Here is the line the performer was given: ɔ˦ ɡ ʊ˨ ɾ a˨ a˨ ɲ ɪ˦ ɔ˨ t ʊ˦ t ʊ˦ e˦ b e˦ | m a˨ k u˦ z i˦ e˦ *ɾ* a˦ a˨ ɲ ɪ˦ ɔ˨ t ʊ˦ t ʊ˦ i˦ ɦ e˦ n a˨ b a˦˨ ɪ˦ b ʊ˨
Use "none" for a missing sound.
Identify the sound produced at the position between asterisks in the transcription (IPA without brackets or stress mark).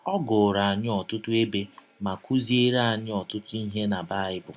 ɾ